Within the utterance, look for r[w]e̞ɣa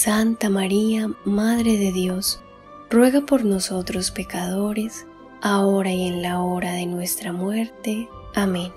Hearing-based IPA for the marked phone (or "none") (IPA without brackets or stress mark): w